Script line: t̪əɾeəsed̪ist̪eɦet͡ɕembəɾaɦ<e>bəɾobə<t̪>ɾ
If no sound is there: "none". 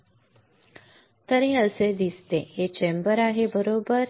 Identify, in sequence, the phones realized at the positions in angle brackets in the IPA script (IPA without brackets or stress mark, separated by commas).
e, none